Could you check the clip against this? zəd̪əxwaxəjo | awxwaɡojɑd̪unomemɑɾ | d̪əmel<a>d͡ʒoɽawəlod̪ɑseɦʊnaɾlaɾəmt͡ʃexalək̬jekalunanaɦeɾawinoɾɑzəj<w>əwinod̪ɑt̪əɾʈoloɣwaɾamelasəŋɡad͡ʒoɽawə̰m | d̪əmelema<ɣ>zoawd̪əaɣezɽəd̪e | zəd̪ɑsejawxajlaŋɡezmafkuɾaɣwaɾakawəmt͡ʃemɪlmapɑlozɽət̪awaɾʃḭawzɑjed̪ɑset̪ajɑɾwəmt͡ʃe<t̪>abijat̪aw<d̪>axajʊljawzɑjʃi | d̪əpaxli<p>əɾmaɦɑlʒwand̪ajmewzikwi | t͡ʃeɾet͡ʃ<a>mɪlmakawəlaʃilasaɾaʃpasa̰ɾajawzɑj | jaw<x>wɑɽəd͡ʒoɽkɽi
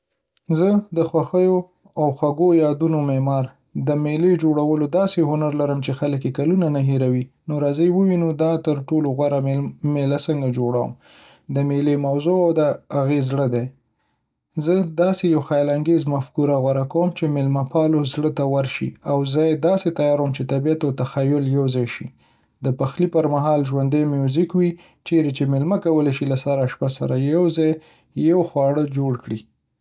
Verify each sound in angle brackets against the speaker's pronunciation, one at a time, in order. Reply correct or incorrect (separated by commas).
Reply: incorrect, correct, incorrect, correct, incorrect, correct, incorrect, correct